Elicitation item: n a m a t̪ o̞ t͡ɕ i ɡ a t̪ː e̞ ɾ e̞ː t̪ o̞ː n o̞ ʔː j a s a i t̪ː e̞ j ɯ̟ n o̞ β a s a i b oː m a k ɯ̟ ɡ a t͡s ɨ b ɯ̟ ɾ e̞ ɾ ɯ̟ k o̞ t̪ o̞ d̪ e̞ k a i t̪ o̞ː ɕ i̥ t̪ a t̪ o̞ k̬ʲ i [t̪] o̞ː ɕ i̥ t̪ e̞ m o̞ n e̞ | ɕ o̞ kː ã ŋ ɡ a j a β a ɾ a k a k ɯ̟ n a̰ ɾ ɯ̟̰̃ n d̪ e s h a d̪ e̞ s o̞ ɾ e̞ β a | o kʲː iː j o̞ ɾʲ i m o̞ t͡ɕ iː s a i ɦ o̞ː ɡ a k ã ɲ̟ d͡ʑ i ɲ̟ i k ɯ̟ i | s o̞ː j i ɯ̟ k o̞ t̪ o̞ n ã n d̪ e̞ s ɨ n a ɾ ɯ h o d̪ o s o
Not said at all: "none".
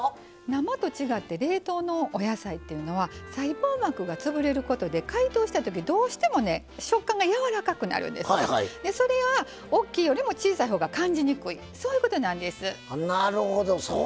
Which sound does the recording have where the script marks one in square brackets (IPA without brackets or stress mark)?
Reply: d̪